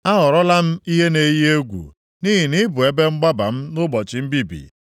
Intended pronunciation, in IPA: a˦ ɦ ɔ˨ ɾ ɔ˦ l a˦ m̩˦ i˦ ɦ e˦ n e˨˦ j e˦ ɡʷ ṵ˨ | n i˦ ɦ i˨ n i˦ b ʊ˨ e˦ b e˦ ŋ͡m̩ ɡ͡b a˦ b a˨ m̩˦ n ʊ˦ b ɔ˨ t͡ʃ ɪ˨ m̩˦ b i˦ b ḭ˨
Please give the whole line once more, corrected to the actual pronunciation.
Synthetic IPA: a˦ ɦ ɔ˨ ɾ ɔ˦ l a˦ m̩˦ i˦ ɦ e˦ n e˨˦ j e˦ ɡʷ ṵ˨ | n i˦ ɦ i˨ n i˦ b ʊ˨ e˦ b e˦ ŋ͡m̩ ɡ͡b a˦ b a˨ m̩˦ n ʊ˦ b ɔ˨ t͡ʃ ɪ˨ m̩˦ b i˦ b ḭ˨